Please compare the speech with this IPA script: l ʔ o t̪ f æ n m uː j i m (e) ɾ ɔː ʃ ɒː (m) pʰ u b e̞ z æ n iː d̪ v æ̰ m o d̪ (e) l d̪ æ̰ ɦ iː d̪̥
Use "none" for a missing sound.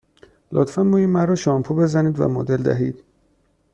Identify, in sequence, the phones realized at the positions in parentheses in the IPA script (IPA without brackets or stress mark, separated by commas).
æ, m, e